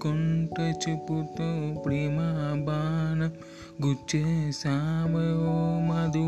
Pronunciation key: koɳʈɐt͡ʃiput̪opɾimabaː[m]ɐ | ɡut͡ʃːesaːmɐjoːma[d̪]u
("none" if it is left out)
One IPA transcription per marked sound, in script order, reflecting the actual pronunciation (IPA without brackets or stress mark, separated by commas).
n, d̪